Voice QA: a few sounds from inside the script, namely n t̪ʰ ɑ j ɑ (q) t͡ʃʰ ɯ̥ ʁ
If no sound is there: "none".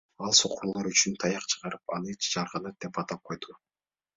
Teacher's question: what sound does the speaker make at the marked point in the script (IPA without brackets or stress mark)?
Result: q